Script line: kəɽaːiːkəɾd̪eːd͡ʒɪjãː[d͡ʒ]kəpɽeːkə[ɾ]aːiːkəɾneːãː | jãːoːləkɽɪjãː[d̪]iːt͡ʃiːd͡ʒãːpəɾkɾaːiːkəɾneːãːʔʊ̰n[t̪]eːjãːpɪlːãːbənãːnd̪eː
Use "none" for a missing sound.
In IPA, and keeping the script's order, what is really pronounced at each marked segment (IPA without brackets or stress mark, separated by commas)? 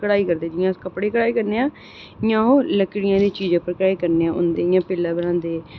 none, ɽ, d̪, d̪